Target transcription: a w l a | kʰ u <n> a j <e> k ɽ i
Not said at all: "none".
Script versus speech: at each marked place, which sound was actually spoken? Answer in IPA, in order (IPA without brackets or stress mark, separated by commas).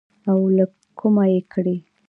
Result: m, e